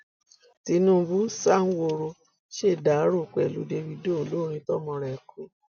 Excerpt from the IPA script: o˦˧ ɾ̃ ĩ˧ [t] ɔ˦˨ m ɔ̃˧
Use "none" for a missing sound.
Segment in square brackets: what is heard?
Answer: t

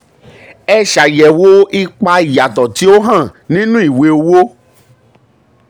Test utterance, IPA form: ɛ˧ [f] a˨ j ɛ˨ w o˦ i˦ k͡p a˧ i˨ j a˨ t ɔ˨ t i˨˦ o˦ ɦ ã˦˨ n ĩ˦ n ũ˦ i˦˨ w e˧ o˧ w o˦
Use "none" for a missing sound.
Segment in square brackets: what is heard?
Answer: ʃ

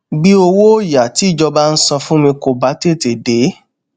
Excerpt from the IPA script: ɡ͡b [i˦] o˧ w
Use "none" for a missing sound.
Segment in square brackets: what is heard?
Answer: i˦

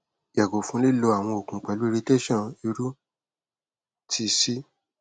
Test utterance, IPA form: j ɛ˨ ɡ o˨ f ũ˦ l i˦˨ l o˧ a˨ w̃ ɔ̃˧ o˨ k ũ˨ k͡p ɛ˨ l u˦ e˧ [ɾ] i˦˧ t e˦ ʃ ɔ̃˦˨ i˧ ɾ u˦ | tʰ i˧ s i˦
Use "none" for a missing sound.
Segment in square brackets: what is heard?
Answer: ɾ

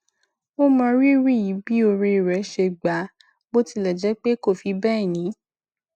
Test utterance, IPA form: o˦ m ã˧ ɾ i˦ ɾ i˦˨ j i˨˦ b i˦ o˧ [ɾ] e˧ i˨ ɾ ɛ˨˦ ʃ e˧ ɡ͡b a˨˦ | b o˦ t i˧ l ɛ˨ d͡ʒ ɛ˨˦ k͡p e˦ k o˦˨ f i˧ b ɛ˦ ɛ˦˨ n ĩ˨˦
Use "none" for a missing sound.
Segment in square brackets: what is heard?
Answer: ɾ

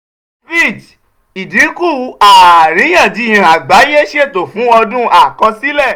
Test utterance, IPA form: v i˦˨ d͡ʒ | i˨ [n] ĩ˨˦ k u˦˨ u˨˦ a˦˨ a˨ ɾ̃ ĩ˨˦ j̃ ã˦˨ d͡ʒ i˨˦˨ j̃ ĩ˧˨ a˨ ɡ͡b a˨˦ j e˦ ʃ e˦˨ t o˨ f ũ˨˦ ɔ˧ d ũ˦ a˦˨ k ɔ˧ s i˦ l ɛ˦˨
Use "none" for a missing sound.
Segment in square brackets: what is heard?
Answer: d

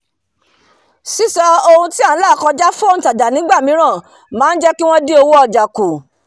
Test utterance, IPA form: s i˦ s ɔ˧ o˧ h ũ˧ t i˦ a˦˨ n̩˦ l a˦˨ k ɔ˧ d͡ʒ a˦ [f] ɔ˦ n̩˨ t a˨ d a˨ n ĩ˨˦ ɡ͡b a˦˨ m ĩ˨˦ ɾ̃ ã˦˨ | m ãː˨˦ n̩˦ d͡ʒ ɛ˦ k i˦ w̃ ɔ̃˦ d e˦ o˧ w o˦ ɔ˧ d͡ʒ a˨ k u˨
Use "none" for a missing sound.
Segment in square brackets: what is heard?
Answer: f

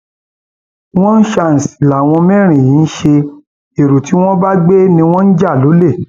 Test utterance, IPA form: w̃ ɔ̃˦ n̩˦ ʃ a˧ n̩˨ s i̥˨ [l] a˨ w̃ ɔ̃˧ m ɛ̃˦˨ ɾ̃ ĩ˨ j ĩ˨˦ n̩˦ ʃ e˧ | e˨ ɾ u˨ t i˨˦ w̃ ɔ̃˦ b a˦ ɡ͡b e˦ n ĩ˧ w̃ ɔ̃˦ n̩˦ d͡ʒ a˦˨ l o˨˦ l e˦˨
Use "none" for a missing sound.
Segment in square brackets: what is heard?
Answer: l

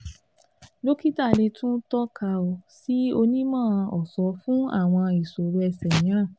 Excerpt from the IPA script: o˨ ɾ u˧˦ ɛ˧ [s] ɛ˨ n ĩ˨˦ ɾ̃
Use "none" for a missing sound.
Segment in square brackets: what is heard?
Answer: s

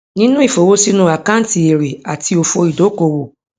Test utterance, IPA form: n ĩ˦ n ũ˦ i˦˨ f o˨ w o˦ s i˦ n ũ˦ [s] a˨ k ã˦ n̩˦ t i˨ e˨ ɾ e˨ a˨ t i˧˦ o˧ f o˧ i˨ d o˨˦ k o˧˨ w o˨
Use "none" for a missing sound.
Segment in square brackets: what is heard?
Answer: none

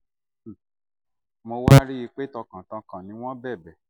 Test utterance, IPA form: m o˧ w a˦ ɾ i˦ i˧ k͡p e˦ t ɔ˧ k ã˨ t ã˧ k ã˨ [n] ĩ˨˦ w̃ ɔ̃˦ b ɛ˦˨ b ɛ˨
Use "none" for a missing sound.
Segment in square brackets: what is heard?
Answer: n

